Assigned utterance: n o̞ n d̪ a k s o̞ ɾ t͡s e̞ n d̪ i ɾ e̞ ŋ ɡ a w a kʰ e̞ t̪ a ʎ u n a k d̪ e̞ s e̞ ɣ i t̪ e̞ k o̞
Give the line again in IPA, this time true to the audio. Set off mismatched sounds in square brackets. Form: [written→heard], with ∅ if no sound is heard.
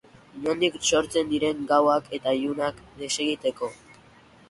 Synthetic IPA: n o̞ n d̪ [a→i] k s o̞ ɾ t͡s e̞ n d̪ i ɾ e̞ ŋ ɡ a w a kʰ e̞ t̪ a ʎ u n a k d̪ e̞ s e̞ ɣ i t̪ e̞ k o̞